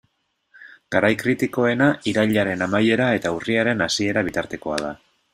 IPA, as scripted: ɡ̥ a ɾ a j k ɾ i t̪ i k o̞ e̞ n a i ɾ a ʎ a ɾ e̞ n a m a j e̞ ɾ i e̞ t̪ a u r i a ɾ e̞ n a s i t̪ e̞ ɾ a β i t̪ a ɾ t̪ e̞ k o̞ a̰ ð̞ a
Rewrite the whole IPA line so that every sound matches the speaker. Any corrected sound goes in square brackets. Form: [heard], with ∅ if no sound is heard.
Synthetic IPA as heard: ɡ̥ a ɾ a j k ɾ i t̪ i k o̞ e̞ n a i ɾ a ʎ a ɾ e̞ n a m a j e̞ ɾ [a] e̞ t̪ a u r i a ɾ e̞ n a s i [∅] e̞ ɾ a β i t̪ a ɾ t̪ e̞ k o̞ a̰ ð̞ a

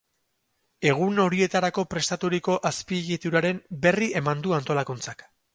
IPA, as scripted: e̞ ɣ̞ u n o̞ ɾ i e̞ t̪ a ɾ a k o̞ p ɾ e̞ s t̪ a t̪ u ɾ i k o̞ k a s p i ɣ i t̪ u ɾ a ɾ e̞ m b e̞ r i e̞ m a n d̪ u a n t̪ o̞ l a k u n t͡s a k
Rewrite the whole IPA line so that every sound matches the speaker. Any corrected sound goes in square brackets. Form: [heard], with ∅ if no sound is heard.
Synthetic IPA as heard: e̞ ɣ̞ u n o̞ ɾ i e̞ t̪ a ɾ a k o̞ p ɾ e̞ s t̪ a t̪ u ɾ i k o̞ [ʔ] a s p i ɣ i t̪ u ɾ a ɾ e̞ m b e̞ r i e̞ m a n d̪ u a n t̪ o̞ l a k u n t͡s a k

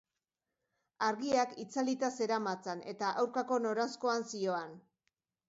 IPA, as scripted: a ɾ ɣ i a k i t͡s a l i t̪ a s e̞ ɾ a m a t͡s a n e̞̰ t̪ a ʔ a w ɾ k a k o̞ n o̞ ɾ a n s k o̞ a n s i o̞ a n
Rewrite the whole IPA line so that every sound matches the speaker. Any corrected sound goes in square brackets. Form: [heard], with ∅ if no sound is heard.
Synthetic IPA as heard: a ɾ ɣ i a k i t͡s a l i t̪ a s e̞ ɾ a m a t͡s a n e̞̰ t̪ a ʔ a w ɾ k a k o̞ n o̞ ɾ a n s k o̞ a n s i o̞ a n

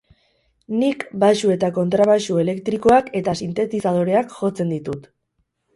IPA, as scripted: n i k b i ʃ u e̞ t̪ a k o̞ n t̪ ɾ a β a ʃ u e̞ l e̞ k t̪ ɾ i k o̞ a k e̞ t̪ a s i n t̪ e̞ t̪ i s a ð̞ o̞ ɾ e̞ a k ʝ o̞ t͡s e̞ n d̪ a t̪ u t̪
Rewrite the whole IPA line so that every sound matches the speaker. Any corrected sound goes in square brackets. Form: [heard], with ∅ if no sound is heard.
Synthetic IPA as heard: n i k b [a] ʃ u e̞ t̪ a k o̞ n t̪ ɾ a β a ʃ u e̞ l e̞ k t̪ ɾ i k o̞ a k e̞ t̪ a s i n t̪ e̞ t̪ i s a ð̞ o̞ ɾ e̞ a k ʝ o̞ t͡s e̞ n d̪ [i] t̪ u t̪

